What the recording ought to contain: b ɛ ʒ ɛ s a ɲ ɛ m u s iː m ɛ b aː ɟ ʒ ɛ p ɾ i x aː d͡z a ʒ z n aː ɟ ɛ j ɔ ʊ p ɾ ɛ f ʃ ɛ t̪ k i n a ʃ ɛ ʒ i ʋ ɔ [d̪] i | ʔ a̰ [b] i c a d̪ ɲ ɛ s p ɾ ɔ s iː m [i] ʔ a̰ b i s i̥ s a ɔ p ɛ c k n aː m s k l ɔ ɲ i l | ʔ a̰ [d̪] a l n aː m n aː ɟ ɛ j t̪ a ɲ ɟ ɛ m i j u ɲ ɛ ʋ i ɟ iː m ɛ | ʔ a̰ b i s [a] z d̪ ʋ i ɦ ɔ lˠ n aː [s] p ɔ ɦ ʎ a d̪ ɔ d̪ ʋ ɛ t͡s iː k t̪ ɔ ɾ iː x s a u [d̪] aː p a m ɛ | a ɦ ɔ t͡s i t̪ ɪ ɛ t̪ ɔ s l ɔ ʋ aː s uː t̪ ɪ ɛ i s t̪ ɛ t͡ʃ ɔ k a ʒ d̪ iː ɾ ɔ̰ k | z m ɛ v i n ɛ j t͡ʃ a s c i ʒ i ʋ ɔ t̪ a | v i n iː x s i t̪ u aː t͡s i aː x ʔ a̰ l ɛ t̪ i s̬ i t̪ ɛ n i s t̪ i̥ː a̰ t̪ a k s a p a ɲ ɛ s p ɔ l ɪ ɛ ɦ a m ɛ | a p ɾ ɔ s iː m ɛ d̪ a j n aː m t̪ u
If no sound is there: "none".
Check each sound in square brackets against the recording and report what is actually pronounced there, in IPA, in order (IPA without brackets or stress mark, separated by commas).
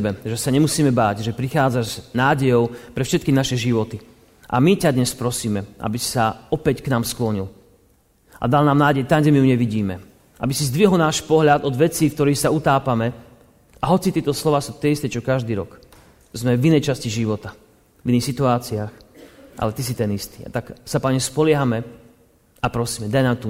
t̪, m, ɛ, d̪, i, ʃ, t̪